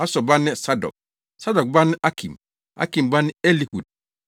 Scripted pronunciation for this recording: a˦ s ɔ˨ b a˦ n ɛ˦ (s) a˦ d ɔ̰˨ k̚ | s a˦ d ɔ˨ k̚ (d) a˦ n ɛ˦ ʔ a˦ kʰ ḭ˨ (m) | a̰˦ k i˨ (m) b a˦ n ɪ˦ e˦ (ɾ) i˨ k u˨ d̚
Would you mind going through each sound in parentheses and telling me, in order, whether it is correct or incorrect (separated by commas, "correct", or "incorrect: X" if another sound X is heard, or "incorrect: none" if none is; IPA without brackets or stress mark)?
correct, incorrect: b, correct, correct, incorrect: l